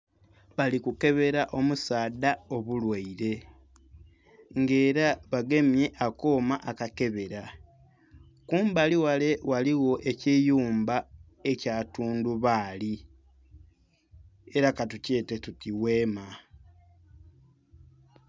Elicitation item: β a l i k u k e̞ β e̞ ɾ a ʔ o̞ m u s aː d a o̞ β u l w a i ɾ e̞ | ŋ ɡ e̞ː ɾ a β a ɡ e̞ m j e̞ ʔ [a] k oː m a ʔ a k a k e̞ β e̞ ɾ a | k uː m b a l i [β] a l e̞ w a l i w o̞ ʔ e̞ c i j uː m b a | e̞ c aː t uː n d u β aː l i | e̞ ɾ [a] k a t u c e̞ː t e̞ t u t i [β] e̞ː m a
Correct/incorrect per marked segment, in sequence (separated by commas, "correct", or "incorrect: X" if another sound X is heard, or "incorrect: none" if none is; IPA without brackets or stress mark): correct, incorrect: w, correct, incorrect: w